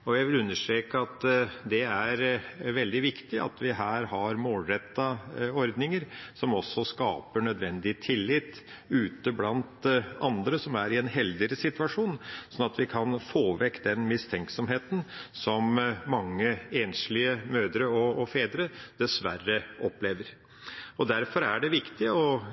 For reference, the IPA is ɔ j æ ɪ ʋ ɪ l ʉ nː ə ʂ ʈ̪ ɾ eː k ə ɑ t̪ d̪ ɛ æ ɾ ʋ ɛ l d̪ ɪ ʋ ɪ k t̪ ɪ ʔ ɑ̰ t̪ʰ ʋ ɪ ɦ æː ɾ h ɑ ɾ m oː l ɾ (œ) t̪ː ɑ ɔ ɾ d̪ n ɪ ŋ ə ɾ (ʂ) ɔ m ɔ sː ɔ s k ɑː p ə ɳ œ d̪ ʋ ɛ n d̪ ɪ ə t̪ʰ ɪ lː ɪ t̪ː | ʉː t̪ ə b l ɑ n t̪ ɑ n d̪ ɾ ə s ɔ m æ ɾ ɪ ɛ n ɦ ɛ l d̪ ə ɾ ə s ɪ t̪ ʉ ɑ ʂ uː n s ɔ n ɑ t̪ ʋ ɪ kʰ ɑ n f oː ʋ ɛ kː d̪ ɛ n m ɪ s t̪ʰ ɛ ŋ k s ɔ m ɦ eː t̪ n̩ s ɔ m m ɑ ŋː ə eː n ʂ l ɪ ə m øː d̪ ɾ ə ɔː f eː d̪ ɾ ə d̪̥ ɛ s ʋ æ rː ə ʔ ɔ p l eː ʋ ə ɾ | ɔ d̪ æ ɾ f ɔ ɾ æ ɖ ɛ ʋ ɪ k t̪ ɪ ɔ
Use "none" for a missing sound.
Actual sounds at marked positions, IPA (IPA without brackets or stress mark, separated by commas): ɛ, s